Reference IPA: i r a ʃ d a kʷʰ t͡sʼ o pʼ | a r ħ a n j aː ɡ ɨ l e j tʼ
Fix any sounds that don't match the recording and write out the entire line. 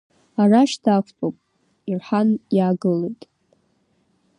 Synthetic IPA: a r a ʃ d a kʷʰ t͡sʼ o pʼ | i r ħ a n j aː ɡ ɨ l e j tʼ